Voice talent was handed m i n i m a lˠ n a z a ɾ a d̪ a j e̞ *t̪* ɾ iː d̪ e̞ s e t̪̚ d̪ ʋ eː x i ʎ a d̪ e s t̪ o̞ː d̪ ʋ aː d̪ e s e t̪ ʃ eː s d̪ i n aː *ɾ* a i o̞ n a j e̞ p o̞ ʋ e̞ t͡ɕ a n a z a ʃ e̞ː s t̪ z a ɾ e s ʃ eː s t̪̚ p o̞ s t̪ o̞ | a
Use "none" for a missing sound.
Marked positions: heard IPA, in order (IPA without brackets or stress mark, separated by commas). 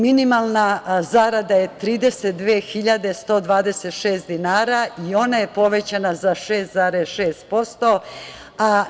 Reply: t̪, ɾ